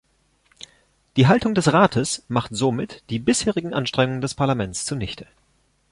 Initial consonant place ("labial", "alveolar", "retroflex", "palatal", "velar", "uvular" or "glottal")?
alveolar